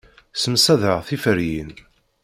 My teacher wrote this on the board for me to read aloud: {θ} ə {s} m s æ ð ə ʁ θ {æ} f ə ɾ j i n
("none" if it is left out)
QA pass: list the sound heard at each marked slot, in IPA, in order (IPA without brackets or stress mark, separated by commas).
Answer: s, none, i